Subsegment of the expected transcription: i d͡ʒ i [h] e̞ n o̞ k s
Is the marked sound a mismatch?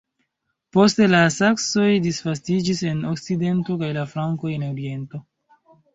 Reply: yes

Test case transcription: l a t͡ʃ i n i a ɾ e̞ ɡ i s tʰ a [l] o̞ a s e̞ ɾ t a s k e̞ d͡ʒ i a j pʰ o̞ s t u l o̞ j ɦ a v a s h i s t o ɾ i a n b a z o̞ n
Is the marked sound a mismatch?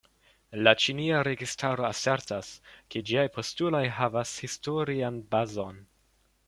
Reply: yes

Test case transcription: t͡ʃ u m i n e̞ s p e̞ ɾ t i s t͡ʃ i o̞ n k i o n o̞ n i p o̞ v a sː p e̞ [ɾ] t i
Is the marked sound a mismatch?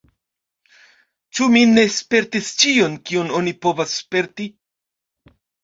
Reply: no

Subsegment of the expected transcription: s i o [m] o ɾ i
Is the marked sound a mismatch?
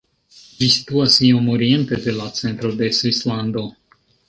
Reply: no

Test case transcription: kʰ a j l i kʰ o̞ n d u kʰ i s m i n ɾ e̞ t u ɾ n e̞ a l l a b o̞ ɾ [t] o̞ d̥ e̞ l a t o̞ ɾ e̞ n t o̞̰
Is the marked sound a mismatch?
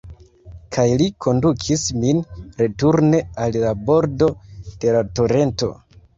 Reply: yes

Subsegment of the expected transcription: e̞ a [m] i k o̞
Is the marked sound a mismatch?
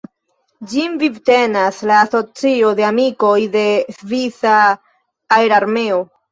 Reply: no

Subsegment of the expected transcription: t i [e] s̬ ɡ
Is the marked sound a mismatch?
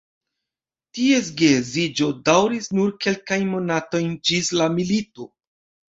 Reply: no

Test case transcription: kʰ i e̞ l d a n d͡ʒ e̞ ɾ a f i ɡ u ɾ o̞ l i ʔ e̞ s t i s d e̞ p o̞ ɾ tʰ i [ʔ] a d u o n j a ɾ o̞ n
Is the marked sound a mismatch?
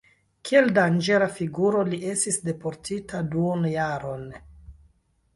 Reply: yes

